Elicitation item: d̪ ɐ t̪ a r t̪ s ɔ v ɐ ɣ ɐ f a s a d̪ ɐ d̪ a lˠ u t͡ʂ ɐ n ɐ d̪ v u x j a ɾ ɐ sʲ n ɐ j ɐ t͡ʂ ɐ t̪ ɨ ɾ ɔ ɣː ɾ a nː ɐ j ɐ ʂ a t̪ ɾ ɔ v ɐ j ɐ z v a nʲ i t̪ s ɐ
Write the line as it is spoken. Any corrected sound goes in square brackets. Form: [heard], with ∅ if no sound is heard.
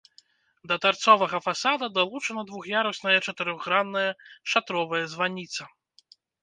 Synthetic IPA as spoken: d̪ ɐ t̪ a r t̪ s ɔ v ɐ ɣ ɐ f a s a d̪ ɐ d̪ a lˠ u t͡ʂ ɐ n ɐ d̪ v u x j a ɾ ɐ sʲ n ɐ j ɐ t͡ʂ ɐ t̪ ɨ ɾ ɔ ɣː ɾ a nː ɐ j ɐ ʂ a t̪ ɾ ɔ v ɐ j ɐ z v a nʲ i t̪ s ɐ